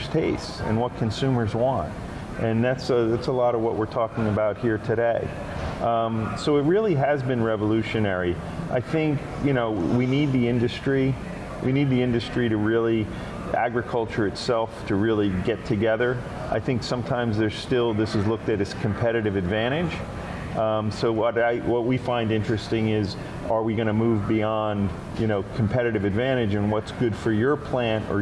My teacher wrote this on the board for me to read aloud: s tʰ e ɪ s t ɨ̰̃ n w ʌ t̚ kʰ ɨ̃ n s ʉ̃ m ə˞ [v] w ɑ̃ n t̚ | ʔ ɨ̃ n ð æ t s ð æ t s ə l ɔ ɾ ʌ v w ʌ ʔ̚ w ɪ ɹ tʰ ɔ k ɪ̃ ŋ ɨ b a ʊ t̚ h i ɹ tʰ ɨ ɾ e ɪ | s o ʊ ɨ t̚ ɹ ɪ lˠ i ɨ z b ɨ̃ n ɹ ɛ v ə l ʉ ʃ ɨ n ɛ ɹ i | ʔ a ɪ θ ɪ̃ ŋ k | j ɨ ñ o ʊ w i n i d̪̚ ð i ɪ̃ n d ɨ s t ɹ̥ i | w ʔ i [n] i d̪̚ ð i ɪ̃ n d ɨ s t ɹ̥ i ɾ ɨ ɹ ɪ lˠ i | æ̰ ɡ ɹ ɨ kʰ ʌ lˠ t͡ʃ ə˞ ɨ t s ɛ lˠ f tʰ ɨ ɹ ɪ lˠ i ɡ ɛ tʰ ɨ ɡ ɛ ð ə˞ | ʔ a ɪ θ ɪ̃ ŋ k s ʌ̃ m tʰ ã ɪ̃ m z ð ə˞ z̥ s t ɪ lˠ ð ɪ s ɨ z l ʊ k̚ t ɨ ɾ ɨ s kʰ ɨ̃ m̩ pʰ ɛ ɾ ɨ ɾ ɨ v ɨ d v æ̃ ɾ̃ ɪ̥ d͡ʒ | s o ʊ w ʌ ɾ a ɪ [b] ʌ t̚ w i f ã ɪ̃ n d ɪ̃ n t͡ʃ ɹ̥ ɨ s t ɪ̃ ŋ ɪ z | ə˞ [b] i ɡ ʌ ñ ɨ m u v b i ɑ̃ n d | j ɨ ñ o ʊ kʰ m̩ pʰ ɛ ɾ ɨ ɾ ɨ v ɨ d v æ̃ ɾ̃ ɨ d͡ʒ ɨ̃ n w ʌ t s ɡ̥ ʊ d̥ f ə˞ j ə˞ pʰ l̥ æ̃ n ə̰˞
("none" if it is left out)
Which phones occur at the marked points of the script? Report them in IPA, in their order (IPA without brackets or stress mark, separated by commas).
z, n, w, w